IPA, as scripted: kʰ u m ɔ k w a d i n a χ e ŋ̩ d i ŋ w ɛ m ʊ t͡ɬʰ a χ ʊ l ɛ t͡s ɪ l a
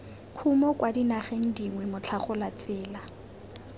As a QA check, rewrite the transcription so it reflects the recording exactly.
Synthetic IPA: kʰ u m ɔ k w a d i n a χ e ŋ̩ d i ŋ w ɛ m ʊ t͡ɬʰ a χ ʊ l a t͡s ɪː l a